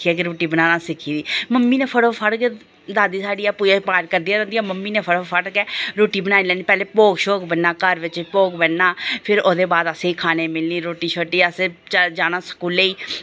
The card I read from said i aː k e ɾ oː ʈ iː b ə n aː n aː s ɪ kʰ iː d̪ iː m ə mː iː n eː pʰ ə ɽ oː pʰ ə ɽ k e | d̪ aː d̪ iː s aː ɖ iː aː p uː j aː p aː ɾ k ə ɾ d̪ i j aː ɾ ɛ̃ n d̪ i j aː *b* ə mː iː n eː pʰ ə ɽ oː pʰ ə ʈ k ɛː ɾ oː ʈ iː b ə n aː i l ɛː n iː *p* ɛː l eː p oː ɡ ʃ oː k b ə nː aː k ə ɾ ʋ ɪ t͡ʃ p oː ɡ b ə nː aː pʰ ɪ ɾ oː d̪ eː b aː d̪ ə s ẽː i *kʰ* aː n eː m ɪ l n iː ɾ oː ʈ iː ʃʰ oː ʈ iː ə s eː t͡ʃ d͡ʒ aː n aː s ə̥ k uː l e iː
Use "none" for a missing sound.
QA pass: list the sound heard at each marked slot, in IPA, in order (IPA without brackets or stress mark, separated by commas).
m, p, kʰ